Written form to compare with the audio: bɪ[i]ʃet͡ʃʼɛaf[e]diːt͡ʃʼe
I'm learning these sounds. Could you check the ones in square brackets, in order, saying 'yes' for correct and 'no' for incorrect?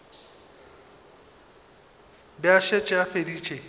no, yes

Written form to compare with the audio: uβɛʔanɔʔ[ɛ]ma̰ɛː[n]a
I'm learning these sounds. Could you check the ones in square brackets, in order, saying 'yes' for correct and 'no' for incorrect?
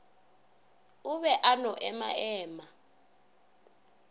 yes, no

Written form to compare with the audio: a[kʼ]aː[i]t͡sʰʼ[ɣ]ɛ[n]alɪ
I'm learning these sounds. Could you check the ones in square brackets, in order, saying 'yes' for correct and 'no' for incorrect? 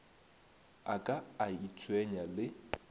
yes, yes, no, no

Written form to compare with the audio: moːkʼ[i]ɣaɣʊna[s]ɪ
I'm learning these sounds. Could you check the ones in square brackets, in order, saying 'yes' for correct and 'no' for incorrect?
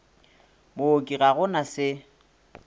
yes, yes

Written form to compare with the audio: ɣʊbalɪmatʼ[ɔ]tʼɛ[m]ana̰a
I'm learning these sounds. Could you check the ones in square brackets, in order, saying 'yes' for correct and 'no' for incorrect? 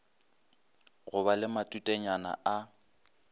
no, no

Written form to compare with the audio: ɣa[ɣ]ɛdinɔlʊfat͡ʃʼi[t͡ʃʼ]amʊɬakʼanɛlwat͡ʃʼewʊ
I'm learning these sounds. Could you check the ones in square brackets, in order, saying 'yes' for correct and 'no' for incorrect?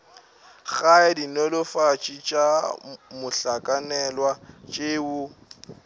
no, yes

